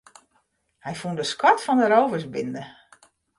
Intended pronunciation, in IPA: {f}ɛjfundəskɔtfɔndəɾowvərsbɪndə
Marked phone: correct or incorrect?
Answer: incorrect